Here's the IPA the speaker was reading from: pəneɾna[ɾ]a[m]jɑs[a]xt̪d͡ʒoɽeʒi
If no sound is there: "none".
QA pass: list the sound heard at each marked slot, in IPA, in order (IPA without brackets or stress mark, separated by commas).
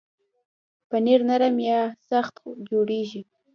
ɾ, m, a